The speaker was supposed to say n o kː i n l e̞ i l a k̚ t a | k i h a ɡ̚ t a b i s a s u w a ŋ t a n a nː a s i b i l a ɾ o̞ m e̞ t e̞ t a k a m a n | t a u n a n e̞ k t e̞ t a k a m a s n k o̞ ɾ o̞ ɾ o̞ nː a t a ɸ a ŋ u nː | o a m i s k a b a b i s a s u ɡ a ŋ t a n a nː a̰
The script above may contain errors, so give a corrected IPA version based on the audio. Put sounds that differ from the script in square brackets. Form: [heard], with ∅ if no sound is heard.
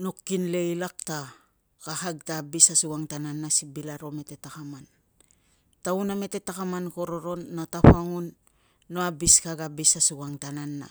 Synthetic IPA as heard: n o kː i n l e̞ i l a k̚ t a | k [a] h a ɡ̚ t a b i s a s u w a ŋ t a n a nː a s i b i l a ɾ o̞ m e̞ t e̞ t a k a m a n | t a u n a [m] e̞ [∅] t e̞ t a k a m a [∅] n k o̞ ɾ o̞ ɾ o̞ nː a t a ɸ a ŋ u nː | o a [b] i s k a [ɡ] a b i s a s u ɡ a ŋ t a n a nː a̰